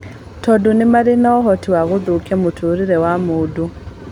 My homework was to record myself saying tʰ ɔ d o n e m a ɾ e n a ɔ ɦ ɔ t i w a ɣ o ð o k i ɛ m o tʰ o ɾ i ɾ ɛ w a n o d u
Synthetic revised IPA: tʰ ɔ d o n e m a ɾ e n a ɔ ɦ ɔ t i w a ɣ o ð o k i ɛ m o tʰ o ɾ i ɾ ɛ w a m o d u